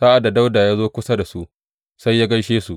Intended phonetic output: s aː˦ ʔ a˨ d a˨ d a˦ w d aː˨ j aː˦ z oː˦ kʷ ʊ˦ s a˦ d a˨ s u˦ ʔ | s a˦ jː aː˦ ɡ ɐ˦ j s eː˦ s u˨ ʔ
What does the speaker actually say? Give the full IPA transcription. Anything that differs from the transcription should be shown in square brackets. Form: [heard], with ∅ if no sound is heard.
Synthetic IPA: s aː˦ ʔ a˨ d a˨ d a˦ w d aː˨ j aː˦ z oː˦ kʷ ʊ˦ s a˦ d a˨ s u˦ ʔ | s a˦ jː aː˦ ɡ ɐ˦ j [ʃ] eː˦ s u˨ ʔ